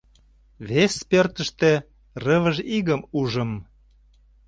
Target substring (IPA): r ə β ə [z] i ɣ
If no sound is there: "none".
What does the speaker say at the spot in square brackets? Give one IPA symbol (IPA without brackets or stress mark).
ʒ